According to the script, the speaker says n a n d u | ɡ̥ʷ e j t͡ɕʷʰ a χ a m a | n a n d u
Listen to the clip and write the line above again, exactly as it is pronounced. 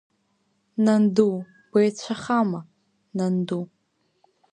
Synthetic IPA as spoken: n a n d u | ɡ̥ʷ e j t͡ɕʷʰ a χ a m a | n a n d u